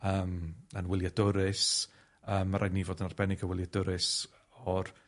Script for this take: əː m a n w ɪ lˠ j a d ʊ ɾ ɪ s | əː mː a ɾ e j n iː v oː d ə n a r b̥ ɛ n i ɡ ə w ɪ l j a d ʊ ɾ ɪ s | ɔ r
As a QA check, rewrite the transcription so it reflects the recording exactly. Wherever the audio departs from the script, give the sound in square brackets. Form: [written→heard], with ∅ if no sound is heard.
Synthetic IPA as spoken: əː m [a→ə] n w ɪ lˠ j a d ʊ ɾ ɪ s | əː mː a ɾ [e→a] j n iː v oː d ə n a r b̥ ɛ n [i→ɪ] ɡ ə w ɪ l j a d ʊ ɾ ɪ s | ɔ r